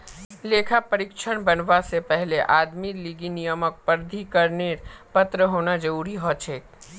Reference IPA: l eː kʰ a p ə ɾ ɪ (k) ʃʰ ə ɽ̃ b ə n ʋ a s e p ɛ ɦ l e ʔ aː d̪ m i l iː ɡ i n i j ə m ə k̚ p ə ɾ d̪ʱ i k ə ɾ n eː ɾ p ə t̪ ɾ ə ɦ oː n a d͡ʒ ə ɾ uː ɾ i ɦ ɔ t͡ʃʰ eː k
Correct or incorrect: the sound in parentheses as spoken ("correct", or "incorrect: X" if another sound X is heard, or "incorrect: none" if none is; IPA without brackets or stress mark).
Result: correct